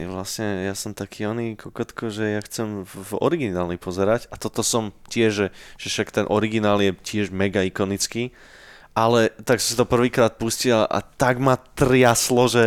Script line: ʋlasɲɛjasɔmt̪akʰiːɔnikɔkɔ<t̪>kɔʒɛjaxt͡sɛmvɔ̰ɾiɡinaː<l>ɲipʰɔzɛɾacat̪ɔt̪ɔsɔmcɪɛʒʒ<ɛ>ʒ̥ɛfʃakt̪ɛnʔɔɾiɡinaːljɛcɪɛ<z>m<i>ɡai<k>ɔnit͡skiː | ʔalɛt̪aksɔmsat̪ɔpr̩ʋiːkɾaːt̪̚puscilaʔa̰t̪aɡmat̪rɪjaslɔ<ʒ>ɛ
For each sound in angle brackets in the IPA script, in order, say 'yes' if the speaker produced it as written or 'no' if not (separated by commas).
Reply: yes, yes, yes, no, no, yes, yes